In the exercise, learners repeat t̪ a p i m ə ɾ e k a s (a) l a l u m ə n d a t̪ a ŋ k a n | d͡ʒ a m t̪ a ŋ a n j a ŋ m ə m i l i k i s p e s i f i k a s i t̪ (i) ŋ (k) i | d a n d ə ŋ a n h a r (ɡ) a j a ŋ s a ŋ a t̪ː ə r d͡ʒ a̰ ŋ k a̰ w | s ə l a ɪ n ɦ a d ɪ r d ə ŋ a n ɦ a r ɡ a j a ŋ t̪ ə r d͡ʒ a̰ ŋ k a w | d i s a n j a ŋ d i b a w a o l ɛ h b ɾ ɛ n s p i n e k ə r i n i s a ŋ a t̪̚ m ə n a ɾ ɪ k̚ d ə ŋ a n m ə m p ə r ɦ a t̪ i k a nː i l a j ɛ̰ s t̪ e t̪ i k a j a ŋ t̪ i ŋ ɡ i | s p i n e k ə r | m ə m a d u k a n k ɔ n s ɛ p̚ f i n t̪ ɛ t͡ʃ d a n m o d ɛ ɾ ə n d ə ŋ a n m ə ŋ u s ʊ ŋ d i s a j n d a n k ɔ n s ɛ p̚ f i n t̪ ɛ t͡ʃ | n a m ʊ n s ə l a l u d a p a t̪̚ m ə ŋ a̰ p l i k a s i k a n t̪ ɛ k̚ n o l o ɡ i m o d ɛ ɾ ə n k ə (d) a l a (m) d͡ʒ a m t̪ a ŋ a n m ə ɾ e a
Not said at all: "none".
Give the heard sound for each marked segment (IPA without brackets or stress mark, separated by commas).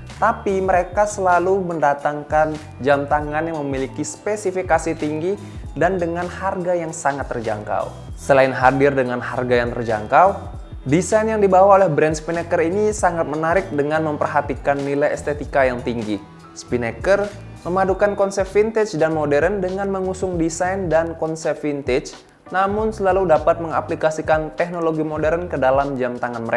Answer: ə, i, ɡ, ɡ, d, m